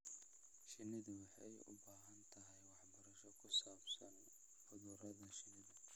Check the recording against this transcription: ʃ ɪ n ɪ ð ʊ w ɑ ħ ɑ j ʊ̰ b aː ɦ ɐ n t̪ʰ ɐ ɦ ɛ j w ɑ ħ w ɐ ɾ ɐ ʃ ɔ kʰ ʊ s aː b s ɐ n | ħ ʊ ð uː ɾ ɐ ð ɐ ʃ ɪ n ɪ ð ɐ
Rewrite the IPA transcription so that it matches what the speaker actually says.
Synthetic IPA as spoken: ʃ ɪ n ɪ ð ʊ w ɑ ħ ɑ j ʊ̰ b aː ɦ ɐ n t̪ʰ ɐ ɦ ɛ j w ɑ ħ b ɐ ɾ ɐ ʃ ɔ kʰ ʊ s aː b s ɐ n | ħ ʊ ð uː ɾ ɐ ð ɐ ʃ ɪ n ɪ ð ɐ